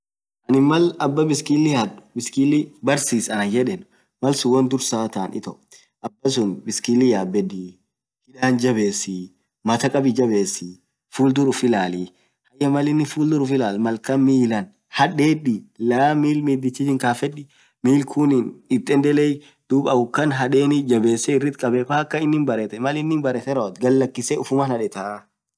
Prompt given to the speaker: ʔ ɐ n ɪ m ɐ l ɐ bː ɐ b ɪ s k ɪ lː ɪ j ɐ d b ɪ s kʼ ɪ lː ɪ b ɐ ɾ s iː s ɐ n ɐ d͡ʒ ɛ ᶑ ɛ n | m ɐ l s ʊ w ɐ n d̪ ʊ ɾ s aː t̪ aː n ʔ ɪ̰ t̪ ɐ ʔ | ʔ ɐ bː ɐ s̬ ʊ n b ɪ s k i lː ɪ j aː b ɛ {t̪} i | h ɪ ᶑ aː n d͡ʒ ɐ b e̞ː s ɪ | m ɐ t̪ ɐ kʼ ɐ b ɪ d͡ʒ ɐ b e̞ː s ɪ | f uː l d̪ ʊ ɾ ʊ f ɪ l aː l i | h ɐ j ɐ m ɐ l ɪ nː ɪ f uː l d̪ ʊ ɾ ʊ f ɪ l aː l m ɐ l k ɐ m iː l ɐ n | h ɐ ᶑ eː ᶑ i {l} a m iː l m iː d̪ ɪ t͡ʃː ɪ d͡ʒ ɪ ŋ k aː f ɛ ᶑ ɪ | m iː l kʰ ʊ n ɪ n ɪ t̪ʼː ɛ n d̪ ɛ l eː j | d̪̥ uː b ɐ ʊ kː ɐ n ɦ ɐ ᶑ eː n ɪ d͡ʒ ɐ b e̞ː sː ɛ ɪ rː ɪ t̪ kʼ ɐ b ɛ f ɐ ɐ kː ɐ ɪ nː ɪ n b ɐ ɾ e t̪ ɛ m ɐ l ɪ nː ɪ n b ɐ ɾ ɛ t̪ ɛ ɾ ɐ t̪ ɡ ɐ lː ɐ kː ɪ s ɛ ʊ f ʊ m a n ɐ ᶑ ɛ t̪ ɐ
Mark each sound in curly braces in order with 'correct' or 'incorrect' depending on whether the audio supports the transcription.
incorrect, correct

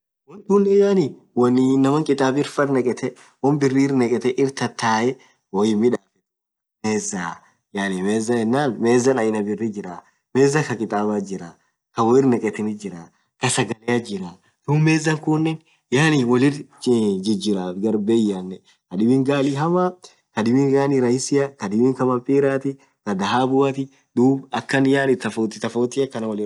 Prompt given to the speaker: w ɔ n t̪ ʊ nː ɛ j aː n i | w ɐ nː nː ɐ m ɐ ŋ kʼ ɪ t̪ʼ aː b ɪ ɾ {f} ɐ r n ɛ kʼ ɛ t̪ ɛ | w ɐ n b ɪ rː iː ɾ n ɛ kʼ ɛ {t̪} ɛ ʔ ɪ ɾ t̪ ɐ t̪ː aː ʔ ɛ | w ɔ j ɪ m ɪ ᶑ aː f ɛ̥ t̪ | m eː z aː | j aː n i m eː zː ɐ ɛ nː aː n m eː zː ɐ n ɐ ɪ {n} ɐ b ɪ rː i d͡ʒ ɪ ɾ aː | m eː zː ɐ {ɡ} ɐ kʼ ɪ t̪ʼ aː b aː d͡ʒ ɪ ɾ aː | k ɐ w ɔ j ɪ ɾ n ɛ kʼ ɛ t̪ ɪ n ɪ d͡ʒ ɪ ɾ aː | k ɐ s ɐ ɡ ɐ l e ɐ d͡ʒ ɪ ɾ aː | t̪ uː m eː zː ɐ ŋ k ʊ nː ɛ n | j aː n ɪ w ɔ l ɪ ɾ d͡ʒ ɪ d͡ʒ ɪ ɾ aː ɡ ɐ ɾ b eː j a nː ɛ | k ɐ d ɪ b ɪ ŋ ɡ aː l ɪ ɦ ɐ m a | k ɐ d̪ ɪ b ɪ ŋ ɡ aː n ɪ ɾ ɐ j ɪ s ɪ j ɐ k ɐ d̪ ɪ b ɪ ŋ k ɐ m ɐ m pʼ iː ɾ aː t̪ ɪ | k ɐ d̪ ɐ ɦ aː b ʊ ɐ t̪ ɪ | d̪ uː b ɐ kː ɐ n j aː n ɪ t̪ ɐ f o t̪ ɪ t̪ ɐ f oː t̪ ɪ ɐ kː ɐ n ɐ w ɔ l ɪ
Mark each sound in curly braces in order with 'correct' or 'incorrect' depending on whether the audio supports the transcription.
correct, correct, correct, incorrect

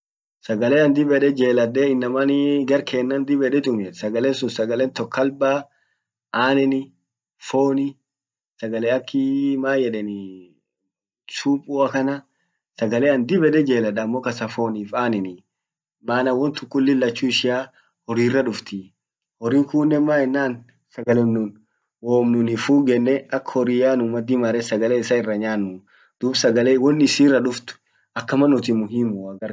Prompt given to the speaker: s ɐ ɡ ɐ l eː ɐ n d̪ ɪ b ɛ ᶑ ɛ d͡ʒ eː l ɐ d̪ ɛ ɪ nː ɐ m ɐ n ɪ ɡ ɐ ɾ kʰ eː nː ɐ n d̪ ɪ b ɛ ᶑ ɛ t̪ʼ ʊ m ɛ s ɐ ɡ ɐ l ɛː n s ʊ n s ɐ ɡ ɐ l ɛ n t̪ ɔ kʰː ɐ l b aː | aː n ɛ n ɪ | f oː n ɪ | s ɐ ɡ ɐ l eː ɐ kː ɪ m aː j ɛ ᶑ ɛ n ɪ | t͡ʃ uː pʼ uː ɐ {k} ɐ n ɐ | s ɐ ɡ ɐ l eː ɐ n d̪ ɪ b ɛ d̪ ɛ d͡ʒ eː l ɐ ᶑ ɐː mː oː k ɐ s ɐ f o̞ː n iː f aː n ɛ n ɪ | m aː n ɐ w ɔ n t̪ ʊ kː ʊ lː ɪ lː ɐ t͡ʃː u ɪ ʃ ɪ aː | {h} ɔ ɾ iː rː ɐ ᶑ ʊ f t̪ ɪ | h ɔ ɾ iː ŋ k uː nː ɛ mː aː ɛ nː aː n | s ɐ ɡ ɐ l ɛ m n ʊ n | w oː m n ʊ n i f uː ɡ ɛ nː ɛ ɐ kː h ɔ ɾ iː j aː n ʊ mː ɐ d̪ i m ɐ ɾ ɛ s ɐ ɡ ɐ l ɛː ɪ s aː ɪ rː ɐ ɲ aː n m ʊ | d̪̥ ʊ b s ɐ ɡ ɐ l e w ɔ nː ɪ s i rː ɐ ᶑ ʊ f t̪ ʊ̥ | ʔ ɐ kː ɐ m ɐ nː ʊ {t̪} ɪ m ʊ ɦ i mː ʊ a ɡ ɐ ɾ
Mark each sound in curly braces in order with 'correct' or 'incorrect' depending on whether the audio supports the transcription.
correct, correct, correct

